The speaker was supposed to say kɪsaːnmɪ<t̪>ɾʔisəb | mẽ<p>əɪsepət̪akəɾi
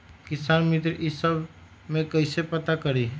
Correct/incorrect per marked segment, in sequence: correct, incorrect: k

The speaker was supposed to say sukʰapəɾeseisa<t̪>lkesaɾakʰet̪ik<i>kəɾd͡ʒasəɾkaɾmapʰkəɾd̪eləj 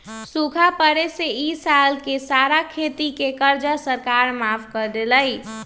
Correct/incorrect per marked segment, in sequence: incorrect: none, incorrect: e

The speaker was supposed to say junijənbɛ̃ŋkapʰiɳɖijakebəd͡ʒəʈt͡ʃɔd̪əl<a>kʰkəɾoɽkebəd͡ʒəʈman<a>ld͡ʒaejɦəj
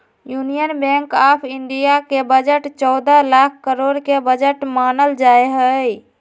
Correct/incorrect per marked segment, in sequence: correct, incorrect: ə

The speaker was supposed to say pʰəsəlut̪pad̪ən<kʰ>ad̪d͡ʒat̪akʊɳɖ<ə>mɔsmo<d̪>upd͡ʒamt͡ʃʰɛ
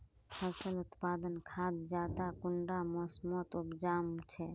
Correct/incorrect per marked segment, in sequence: correct, incorrect: a, incorrect: t̪

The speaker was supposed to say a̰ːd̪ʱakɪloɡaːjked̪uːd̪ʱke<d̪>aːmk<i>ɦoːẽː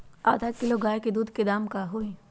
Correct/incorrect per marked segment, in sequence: correct, incorrect: a

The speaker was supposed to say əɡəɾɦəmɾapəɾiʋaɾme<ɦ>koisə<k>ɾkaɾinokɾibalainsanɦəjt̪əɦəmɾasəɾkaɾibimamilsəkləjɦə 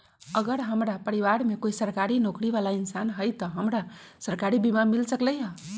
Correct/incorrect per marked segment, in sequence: incorrect: none, incorrect: none

